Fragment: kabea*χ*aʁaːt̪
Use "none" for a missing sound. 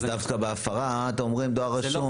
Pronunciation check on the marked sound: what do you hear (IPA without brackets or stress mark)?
f